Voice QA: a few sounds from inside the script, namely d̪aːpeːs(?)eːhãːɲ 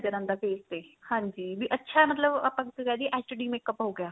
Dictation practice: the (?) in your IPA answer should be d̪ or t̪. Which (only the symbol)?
t̪